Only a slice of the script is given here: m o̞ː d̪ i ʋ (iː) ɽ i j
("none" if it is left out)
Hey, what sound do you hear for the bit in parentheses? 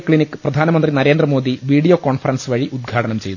iː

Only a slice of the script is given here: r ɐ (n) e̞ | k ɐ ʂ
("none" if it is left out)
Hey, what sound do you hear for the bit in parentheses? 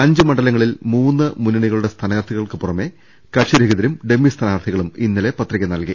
m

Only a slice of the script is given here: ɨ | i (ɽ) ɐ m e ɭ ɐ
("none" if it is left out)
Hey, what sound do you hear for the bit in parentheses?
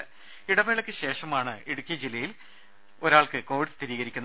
ɽ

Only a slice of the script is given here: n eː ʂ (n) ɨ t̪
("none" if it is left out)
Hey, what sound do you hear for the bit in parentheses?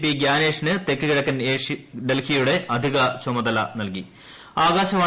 n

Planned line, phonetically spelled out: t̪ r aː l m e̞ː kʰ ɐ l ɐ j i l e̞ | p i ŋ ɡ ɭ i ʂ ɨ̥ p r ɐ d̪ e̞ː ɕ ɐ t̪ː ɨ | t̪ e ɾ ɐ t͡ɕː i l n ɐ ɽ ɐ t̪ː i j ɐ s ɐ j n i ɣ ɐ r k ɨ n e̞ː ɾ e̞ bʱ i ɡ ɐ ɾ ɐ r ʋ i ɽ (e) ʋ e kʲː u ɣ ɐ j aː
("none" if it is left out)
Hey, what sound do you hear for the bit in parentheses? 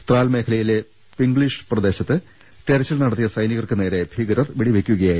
i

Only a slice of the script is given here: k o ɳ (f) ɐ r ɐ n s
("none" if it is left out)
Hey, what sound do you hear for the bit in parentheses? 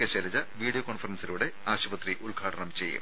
f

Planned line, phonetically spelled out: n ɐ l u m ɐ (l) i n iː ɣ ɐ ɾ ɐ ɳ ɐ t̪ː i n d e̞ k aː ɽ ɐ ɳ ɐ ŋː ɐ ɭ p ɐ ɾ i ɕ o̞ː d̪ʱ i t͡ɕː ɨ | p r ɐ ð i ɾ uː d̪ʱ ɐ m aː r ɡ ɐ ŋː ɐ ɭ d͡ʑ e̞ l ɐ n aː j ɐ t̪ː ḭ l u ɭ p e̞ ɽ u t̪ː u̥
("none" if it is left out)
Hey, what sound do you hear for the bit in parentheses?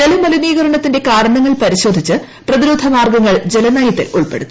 l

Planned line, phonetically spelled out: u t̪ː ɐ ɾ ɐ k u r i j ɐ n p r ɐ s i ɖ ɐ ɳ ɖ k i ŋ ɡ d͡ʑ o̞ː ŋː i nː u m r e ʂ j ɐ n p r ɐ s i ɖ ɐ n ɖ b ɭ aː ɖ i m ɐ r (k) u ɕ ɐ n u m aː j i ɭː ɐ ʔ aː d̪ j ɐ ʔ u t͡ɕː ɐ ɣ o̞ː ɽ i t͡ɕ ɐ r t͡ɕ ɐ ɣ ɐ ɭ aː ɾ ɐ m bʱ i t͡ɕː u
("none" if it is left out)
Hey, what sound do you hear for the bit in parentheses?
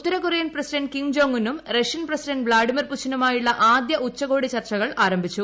p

